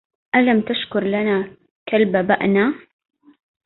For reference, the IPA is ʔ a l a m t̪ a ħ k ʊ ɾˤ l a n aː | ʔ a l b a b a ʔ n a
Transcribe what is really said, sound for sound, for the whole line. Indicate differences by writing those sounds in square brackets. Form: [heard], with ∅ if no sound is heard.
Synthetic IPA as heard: ʔ a l a m t̪ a [ʃ] k ʊ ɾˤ l a n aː | [k] a l b a b a ʔ n a

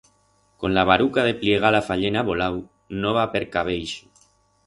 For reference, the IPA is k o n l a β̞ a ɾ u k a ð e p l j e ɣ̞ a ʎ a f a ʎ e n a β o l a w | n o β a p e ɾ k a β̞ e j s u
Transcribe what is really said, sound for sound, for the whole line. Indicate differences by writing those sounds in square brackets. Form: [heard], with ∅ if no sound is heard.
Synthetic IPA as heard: k o n l a β̞ a ɾ u k a ð e p l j e ɣ̞ a [l] a f a ʎ e n a β o l a w | n o β a p e ɾ k a β̞ e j [ʃ] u

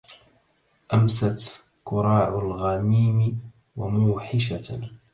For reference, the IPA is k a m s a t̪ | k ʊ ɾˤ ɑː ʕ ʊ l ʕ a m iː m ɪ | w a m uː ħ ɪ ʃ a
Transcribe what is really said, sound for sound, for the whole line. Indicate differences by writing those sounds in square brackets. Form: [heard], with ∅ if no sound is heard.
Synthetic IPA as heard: [ʔ] a m s a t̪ | k ʊ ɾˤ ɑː ʕ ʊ l [ɣ] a m iː m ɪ | w a m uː ħ ɪ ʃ a

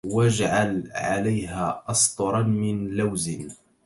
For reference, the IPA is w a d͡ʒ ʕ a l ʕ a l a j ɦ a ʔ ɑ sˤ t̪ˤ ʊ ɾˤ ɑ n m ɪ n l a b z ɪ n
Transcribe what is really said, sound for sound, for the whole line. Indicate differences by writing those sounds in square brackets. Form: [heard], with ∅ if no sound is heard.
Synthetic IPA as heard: w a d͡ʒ ʕ a l ʕ a l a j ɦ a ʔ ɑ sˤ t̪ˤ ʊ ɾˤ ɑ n m ɪ n l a [w] z ɪ n

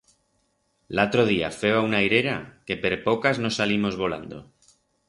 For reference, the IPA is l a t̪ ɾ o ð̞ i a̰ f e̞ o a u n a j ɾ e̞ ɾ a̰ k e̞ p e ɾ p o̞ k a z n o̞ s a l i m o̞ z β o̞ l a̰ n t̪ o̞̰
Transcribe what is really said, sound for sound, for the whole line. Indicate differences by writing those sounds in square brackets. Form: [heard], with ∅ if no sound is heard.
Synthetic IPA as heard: l a t̪ ɾ o ð̞ i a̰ f e̞ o a u n a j ɾ e̞ ɾ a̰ k e̞ p e ɾ p o̞ k a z n o̞ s a l i m o̞ z β o̞ l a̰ n [d̪] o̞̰

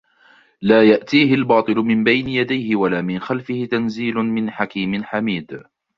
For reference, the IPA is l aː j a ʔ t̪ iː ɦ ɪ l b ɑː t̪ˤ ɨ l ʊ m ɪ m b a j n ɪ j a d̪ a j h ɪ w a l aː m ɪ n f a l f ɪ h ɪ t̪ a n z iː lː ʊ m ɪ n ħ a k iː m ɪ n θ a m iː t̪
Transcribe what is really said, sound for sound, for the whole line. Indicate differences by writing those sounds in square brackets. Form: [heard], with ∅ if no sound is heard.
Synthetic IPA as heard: l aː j a ʔ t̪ iː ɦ ɪ l b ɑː t̪ˤ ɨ l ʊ m ɪ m b a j n ɪ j a d̪ a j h ɪ w a l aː m ɪ n [x] a l f ɪ h ɪ t̪ a n z iː [l] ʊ m ɪ n ħ a k iː m ɪ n [ħ] a m iː [d̪]

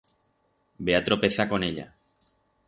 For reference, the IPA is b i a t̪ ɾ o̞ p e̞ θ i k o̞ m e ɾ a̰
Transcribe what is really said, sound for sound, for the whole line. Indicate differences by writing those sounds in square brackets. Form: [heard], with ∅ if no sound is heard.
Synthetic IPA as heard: b [e] a t̪ ɾ o̞ p e̞ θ [a] k o̞ [n] e [ʎ] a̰

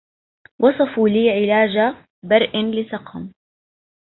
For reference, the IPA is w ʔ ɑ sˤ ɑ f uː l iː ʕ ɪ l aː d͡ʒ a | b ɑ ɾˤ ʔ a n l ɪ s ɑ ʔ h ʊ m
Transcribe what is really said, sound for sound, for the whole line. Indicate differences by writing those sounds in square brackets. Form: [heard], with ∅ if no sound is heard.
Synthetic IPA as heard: w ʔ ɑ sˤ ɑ f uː l iː ʕ ɪ l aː d͡ʒ a | b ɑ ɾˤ ʔ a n l ɪ s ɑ [q] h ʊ m

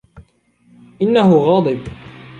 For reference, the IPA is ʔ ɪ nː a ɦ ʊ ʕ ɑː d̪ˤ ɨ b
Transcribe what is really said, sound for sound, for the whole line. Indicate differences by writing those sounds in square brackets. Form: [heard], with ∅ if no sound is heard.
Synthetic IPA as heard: ʔ ɪ nː a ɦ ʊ [ɣ] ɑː d̪ˤ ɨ b

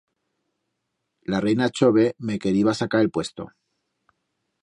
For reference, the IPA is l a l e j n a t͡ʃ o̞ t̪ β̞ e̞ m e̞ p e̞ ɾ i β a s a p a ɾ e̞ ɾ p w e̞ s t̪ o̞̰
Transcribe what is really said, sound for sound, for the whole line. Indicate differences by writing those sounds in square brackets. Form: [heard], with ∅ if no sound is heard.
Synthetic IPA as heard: l a [r] e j n a t͡ʃ o̞ [∅] β̞ e̞ m e̞ [k] e̞ ɾ i β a s a [k] a ɾ e̞ [l] p w e̞ s t̪ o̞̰

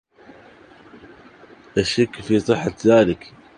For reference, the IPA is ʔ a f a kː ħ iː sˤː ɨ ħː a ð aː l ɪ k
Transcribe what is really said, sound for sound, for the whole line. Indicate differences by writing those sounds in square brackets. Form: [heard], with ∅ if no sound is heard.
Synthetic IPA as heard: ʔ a [ʃ] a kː [f] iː [sˤ] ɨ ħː a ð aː l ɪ k

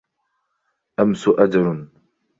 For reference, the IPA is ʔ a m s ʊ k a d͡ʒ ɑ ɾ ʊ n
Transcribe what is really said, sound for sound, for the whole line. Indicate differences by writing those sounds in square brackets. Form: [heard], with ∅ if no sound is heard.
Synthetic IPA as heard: ʔ a m s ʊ [ʔ] a d͡ʒ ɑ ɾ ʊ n

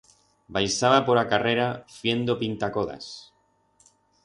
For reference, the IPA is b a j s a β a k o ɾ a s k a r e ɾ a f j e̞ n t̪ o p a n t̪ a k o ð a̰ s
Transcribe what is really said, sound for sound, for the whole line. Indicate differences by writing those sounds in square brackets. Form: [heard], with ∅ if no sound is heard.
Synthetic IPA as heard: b a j s a β a [p] o ɾ a [∅] k a r e ɾ a f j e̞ n [d̪] o p [i] n t̪ a k o ð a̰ s

